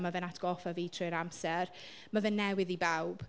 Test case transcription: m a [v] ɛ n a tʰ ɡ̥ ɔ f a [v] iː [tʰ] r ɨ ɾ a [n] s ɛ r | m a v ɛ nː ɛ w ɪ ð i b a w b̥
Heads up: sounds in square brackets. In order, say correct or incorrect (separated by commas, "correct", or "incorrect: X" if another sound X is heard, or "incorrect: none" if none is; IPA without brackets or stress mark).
correct, correct, correct, incorrect: m